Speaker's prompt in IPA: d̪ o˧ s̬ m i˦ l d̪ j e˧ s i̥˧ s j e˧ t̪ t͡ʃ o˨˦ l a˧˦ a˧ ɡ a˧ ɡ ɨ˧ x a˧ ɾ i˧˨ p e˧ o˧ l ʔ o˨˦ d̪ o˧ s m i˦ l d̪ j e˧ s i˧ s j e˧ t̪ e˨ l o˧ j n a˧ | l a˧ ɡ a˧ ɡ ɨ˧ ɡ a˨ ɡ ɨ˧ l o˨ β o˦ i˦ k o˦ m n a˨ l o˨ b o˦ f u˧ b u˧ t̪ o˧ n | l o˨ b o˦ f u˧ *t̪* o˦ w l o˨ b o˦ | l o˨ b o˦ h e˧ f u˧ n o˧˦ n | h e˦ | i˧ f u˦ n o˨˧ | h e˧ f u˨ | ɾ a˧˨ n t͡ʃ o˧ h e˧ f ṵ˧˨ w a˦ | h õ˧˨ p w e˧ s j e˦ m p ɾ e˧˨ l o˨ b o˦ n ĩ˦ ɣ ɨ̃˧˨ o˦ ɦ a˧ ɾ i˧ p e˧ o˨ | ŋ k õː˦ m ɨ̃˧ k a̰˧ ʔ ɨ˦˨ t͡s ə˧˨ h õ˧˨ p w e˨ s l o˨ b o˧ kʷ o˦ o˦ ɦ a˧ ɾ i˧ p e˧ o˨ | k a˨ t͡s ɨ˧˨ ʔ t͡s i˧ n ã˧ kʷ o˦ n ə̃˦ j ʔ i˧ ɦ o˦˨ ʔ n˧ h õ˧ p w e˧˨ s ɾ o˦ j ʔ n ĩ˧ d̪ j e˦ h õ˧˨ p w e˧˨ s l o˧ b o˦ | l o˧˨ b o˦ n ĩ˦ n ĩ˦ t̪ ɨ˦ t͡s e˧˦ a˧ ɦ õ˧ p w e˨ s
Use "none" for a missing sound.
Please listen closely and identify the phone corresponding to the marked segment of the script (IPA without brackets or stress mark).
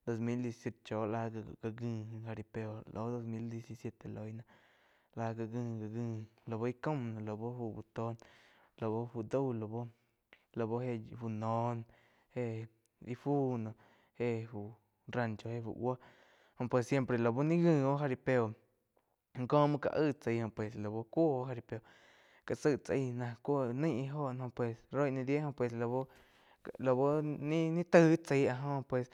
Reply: d̪